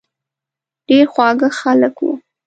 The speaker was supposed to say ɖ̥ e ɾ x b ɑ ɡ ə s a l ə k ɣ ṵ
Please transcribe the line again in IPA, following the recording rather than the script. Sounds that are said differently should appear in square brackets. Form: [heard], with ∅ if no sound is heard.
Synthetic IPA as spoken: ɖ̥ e ɾ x [w] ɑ ɡ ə [x] a l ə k [w] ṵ